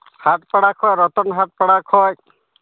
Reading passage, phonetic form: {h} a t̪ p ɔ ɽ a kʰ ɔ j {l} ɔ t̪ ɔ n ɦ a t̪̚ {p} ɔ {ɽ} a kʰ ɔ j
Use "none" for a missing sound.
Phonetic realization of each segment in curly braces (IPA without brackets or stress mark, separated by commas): h, ɾ, p, ɽ